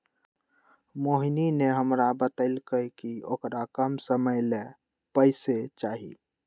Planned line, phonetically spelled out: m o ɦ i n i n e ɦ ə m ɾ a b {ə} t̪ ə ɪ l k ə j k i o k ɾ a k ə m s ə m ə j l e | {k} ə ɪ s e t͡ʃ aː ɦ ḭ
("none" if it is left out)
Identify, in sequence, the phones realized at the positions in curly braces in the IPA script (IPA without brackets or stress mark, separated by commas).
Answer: ə, p